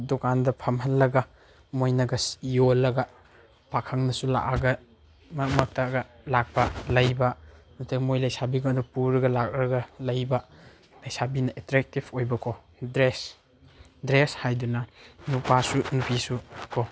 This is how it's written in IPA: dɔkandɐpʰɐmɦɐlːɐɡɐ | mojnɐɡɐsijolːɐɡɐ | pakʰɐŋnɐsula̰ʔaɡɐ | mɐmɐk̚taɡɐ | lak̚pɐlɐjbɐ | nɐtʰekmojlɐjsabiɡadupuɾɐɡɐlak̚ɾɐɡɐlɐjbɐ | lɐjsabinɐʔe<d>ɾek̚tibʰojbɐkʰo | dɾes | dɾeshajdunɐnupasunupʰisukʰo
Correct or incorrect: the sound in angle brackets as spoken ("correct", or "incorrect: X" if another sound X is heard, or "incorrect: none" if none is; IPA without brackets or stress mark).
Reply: incorrect: t